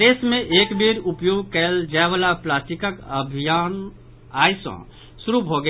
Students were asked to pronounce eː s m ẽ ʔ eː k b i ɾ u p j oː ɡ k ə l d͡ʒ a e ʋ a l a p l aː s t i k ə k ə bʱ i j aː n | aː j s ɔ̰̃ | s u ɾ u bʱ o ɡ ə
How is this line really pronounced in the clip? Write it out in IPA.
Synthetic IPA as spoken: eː s m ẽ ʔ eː k b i ɾ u p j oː ɡ k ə l d͡ʒ a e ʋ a l a p l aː s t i k ə k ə bʱ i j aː n | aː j s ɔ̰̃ | s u ɾ u bʱ o ɡ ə